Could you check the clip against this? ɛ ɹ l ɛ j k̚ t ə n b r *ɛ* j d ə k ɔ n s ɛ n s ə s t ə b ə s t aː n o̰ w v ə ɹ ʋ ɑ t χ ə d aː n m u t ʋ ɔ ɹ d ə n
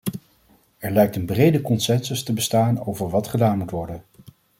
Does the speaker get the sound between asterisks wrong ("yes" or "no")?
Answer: yes